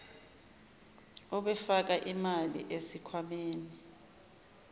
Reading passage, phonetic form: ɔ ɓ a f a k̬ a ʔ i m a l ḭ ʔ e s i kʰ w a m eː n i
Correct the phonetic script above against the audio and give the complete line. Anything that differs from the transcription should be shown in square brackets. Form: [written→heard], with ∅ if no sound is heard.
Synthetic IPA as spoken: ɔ ɓ [a→ɛ] f a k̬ a ʔ i m a l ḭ ʔ e s i kʰ w a m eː n i